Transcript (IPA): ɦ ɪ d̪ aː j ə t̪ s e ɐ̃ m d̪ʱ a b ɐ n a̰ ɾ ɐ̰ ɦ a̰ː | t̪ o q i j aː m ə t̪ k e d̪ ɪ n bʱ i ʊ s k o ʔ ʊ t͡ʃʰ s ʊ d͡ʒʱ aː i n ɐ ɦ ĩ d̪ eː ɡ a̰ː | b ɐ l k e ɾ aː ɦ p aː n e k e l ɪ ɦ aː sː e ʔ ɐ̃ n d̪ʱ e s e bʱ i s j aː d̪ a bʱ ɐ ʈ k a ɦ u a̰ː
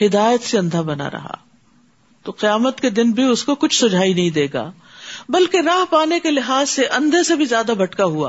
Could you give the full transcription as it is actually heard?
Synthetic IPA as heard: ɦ ɪ d̪ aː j ə t̪ s e ɐ̃ n d̪ʱ a b ɐ n a̰ ɾ ɐ̰ ɦ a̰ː | t̪ o q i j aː m ə t̪ k e d̪ ɪ n bʱ i ʊ s k o k ʊ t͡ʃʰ s ʊ d͡ʒʱ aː i n ɐ ɦ ĩ d̪ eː ɡ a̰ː | b ɐ l k e ɾ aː ɦ p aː n e k e l ɪ ɦ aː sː e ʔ ɐ̃ n d̪ʱ e s e bʱ i z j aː d̪ a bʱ ɐ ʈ k a ɦ u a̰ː